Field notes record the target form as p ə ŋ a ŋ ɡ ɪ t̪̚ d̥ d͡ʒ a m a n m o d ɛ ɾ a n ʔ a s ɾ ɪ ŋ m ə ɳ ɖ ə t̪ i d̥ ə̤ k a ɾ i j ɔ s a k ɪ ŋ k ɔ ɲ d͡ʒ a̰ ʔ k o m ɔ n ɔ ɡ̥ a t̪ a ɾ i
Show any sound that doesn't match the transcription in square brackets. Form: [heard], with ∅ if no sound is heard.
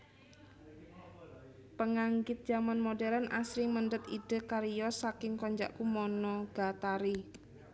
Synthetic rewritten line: p ə ŋ a ŋ ɡ ɪ t̪̚ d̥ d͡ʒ a m a n m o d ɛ ɾ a n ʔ a s ɾ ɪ ŋ m ə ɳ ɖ ə t̪ i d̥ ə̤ k a ɾ i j ɔ s a k ɪ ŋ k ɔ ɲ d͡ʒ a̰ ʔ k [u] m ɔ n ɔ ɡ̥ a t̪ a ɾ i